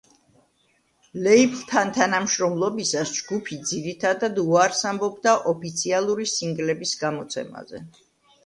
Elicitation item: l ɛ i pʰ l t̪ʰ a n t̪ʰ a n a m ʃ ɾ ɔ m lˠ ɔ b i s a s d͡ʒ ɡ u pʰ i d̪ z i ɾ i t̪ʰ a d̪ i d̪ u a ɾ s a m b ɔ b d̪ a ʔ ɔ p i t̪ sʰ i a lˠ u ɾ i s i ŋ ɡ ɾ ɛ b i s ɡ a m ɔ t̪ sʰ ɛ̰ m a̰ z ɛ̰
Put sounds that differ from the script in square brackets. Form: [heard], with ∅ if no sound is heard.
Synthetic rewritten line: l ɛ i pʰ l t̪ʰ a n t̪ʰ a n a m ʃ ɾ ɔ m lˠ ɔ b i s a s d͡ʒ ɡ u pʰ i d̪ z i ɾ i t̪ʰ a d̪ [a] d̪ u a ɾ s a m b ɔ b d̪ a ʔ ɔ p i t̪ sʰ i a lˠ u ɾ i s i ŋ ɡ [l] ɛ b i s ɡ a m ɔ t̪ sʰ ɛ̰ m a̰ z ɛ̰